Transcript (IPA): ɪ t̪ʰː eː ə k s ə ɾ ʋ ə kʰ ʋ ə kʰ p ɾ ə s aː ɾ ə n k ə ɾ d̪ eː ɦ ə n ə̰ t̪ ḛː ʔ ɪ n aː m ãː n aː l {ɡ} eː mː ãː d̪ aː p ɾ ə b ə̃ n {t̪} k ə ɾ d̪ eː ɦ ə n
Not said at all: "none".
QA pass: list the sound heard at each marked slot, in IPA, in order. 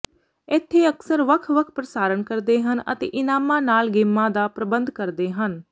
ɡ, d̪

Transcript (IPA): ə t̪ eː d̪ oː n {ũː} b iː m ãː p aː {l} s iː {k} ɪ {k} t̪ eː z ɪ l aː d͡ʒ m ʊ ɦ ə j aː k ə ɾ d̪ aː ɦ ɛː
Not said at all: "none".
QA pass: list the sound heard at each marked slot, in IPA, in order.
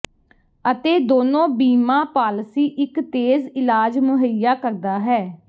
õː, l, ʔ, k

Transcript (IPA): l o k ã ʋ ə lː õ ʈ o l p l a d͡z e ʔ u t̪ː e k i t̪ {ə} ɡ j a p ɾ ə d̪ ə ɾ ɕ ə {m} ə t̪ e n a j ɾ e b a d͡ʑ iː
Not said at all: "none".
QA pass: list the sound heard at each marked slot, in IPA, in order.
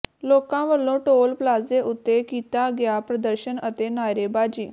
a, n

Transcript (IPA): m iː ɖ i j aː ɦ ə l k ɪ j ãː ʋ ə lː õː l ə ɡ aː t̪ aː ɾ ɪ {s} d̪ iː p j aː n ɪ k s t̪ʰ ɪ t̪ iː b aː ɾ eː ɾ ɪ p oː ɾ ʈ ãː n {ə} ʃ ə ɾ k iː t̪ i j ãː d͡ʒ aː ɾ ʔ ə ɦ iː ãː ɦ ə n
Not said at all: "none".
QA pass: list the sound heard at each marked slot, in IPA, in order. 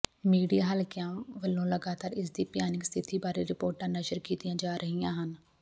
s, ə

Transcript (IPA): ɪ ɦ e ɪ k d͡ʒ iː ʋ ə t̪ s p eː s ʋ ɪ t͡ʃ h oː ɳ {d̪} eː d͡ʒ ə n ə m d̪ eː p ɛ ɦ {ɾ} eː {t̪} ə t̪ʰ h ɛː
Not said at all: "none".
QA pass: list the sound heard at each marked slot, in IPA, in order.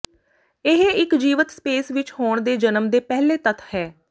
d̪, l, t̪

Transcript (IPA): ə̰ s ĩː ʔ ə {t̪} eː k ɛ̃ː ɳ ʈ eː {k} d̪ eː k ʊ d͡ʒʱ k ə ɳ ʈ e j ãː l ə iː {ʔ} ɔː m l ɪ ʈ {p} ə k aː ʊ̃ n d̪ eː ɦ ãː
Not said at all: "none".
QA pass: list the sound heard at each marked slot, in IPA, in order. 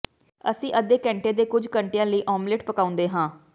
d̪, none, ʔ, p

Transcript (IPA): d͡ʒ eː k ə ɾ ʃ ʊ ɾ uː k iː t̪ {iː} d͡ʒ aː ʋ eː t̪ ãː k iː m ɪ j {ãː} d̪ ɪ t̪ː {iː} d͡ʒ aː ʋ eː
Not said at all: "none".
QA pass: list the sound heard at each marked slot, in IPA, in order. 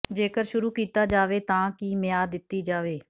aː, aː, iː

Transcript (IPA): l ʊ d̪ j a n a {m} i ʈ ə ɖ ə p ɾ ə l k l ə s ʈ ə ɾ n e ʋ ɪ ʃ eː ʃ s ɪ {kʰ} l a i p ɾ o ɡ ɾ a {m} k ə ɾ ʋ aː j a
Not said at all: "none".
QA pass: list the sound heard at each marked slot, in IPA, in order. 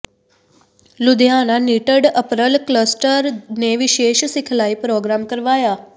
n, kʰ, m

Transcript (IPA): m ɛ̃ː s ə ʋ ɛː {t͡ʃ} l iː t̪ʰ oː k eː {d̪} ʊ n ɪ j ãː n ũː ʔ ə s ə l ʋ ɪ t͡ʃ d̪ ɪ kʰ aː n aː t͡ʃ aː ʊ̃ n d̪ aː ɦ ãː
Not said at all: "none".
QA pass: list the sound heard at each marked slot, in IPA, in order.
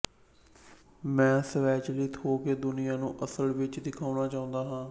t͡ʃ, d̪

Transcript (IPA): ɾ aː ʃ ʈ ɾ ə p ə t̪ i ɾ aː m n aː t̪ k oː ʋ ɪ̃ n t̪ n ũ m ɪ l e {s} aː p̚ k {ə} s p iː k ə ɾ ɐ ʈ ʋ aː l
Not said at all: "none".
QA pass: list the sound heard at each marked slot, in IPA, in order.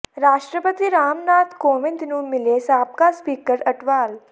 s, a

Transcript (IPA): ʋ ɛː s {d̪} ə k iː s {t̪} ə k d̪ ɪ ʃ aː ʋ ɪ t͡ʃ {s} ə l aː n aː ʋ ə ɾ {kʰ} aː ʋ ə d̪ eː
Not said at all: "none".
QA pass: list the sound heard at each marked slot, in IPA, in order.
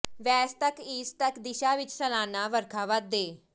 t̪, t̪, s, kʰ

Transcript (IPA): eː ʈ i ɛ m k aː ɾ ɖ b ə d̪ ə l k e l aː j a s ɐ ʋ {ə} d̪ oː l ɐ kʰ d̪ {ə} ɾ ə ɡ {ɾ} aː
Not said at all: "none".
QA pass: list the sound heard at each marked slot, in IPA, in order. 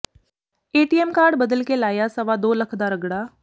a, a, ɽ

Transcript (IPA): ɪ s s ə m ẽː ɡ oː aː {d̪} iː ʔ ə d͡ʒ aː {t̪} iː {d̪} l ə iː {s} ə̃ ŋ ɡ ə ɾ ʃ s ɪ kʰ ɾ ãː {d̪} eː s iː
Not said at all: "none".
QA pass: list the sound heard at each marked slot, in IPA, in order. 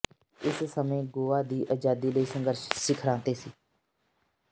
d̪, d̪, none, s, t̪

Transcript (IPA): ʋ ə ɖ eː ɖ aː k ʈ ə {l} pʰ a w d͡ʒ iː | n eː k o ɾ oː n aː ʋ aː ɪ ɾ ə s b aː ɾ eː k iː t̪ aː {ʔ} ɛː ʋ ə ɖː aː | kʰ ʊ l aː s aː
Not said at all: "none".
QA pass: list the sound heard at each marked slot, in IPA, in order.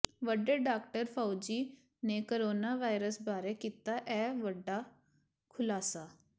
ɾ, ʔ

